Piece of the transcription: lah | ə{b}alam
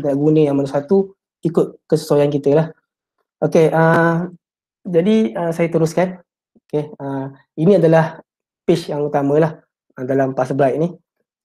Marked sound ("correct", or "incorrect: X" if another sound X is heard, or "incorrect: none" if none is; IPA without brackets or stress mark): incorrect: d